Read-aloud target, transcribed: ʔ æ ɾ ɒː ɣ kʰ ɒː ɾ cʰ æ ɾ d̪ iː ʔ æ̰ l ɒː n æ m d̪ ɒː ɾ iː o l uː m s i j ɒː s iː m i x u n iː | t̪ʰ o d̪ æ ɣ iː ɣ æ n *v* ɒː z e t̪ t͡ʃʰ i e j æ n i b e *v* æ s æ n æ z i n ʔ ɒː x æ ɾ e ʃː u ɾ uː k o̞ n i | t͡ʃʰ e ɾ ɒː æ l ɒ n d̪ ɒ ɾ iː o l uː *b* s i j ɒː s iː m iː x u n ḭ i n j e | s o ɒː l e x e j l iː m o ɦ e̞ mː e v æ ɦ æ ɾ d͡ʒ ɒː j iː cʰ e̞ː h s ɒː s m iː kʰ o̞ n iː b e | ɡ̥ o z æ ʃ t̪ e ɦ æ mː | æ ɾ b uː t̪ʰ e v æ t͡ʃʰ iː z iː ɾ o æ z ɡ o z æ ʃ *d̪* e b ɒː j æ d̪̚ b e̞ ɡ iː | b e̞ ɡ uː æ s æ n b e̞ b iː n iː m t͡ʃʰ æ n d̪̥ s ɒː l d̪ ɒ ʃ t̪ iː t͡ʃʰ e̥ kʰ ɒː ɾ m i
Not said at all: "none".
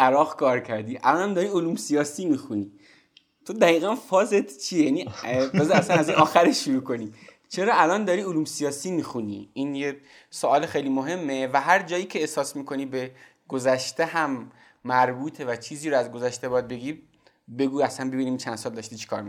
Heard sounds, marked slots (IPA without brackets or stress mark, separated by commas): f, z, m, t̪